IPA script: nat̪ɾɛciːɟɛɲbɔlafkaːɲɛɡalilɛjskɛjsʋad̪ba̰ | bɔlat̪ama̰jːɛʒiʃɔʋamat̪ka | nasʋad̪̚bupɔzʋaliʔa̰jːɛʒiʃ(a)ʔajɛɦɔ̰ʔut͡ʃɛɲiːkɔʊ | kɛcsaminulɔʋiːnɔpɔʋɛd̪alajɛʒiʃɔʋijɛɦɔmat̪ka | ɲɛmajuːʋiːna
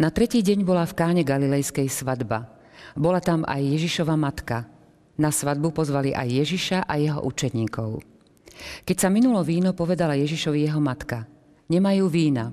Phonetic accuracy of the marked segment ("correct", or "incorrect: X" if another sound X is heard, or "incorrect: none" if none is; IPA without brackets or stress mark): correct